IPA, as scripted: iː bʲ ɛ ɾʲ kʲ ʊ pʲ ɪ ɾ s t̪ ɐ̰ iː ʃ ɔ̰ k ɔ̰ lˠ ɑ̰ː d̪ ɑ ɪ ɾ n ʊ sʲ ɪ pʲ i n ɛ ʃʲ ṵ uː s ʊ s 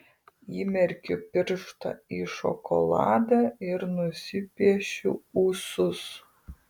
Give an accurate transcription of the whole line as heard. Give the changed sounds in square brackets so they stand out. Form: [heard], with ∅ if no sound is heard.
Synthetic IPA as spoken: iː [mʲ] ɛ ɾʲ kʲ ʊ pʲ ɪ ɾ [ʃ] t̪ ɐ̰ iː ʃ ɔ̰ k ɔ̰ lˠ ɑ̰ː d̪ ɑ ɪ ɾ n ʊ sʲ ɪ pʲ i [∅] ɛ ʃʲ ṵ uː s ʊ s